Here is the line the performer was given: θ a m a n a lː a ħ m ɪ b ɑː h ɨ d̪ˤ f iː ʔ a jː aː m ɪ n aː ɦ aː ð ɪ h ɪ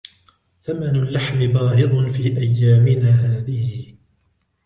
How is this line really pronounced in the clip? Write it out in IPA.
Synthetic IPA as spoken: θ a m a n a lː a ħ m ɪ b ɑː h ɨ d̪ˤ f iː ʔ a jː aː m ɪ n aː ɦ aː ð ɪ h ɪ